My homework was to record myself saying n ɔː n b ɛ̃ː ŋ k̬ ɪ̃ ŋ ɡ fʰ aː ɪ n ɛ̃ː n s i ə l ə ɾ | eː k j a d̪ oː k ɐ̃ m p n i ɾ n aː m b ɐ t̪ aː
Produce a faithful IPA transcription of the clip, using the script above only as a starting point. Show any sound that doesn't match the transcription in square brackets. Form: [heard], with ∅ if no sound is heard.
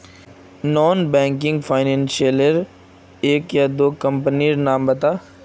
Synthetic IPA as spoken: n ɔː n b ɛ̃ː ŋ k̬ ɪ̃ ŋ ɡ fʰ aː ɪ n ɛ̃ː n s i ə l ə ɾ | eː k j a d̪ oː k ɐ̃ m p n i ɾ n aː m b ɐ t̪ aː